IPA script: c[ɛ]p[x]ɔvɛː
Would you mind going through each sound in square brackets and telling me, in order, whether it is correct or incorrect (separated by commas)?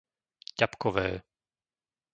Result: incorrect, incorrect